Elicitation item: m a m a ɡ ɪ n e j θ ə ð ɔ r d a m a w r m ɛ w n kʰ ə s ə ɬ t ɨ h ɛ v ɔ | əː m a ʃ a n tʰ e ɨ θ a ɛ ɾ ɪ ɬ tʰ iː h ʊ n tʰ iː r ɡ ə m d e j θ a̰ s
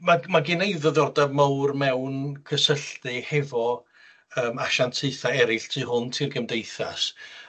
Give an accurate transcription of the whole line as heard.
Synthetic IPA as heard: m a m a ɡ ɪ n e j ð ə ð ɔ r d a m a w r m ɛ w n kʰ ə s ə ɬ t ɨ h ɛ v ɔ | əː m a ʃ a n tʰ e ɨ θ a ɛ ɾ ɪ ɬ tʰ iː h ʊ n tʰ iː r ɡ ə m d e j θ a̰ s